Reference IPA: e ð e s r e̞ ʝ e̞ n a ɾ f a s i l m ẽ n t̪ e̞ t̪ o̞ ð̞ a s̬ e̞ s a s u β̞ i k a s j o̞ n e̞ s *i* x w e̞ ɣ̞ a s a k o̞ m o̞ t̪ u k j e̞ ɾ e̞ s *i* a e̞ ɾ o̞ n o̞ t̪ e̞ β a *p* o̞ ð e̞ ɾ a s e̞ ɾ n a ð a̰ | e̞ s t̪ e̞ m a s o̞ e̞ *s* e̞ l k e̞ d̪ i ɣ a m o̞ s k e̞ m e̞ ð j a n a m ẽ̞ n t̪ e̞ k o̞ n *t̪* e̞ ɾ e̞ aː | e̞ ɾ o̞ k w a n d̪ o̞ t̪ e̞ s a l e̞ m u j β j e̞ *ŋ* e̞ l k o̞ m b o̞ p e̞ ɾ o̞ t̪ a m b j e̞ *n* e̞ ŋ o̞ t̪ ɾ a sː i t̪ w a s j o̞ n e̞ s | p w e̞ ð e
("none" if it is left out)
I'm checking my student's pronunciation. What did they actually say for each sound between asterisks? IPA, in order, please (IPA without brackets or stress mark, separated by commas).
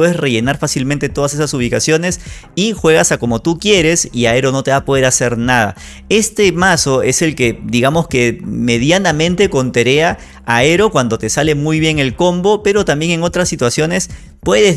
i, i, p, s, t̪, ŋ, ŋ